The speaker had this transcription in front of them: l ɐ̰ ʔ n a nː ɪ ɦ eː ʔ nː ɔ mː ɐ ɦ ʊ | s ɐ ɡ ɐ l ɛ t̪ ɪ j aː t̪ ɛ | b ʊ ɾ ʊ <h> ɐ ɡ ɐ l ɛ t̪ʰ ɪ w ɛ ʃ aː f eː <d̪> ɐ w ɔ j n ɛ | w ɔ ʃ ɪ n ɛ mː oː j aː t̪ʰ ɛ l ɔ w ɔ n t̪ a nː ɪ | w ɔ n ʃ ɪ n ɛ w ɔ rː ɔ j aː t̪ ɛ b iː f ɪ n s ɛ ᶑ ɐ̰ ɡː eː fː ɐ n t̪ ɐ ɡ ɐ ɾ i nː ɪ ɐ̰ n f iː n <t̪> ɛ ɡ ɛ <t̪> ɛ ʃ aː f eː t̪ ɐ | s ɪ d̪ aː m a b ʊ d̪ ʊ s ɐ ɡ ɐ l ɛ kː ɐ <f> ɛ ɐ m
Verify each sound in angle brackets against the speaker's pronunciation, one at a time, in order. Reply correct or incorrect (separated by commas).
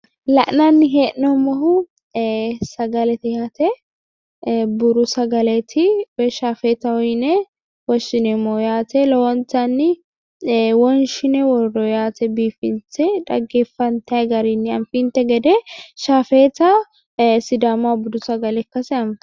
incorrect, incorrect, correct, incorrect, incorrect